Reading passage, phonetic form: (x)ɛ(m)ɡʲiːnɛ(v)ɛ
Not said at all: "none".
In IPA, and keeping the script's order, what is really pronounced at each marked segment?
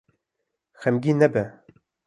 x, m, b

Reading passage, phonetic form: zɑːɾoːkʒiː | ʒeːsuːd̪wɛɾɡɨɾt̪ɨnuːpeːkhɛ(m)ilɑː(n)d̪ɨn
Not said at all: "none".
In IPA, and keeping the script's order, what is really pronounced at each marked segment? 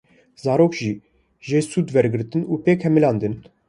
m, n

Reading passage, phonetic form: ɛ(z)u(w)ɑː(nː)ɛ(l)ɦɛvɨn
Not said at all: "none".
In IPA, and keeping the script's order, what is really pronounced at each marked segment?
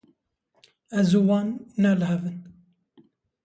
z, w, nː, l

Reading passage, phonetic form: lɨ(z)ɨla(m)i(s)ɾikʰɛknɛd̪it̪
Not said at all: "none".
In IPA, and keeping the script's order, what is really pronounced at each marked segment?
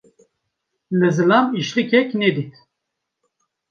z, m, ʃ

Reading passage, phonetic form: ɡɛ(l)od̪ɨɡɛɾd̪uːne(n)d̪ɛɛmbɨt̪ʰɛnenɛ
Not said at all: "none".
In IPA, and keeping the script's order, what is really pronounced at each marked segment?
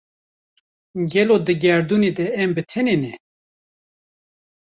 l, none

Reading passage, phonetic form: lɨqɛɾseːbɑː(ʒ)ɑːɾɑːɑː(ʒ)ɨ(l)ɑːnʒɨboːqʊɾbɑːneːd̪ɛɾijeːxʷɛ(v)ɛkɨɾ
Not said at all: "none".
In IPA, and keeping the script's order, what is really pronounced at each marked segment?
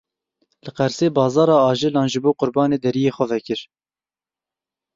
z, ʒ, l, v

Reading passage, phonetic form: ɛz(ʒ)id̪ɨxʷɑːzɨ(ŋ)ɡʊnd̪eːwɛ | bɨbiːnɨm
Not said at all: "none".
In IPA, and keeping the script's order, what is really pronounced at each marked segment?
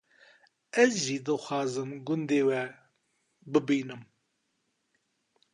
ʒ, m

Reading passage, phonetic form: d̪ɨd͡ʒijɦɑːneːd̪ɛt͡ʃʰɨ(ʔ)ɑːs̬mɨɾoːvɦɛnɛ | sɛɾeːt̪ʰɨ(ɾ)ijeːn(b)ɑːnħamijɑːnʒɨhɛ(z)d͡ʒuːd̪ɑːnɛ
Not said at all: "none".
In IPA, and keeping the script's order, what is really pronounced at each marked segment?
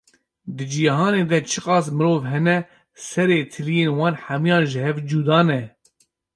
q, l, w, v

